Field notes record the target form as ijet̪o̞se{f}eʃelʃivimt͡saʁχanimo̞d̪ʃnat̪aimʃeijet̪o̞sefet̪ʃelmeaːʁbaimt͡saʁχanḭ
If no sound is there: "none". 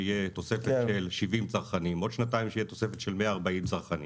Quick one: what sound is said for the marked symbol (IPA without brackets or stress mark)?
f